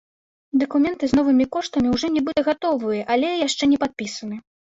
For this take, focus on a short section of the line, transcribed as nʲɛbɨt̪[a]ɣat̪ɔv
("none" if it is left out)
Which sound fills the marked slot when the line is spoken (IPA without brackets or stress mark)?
ɐ